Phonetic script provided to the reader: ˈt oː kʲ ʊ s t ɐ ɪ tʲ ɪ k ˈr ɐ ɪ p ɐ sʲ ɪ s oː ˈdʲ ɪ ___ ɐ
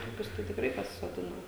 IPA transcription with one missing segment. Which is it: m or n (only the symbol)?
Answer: n